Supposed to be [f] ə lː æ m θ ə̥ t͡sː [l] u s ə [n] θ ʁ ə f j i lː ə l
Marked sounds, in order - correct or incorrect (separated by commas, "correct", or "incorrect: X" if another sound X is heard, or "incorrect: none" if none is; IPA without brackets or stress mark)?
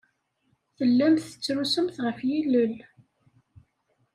incorrect: θ, incorrect: ɾ, incorrect: m